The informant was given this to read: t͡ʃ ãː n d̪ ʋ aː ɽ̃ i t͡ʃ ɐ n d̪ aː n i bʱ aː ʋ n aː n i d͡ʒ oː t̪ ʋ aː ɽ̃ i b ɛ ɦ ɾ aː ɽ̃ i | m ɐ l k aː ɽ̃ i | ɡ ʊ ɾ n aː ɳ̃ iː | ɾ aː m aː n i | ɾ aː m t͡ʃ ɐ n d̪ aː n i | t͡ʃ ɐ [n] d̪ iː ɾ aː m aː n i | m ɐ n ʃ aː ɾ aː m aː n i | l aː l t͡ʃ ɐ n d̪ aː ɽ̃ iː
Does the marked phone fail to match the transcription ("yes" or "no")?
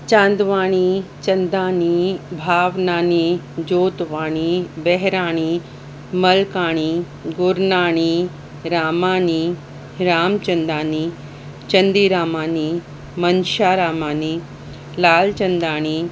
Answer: no